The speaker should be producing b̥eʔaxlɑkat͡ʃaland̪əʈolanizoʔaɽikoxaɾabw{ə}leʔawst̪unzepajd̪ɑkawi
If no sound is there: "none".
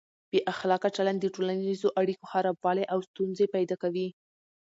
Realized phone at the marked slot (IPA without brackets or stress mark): ɑ